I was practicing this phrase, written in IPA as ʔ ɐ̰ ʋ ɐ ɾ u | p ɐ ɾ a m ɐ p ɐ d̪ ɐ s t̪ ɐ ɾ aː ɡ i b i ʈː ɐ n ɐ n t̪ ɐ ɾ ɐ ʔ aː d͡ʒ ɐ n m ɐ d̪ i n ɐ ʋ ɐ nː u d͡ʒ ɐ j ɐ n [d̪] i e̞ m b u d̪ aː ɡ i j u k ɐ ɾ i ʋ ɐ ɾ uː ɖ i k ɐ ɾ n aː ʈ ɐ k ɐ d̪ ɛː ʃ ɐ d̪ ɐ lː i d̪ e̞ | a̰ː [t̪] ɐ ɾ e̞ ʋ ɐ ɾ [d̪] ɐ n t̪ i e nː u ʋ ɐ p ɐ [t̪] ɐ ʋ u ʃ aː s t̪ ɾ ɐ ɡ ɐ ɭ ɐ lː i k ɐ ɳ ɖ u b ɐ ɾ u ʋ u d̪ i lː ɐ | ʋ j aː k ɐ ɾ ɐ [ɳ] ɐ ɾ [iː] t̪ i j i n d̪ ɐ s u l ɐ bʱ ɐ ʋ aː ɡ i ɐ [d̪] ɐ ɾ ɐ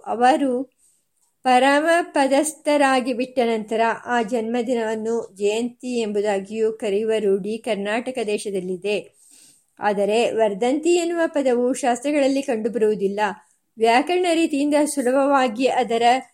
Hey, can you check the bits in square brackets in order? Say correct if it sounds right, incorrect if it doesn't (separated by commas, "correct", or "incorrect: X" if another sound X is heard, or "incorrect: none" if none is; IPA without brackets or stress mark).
incorrect: t̪, incorrect: d̪, correct, incorrect: d̪, correct, correct, correct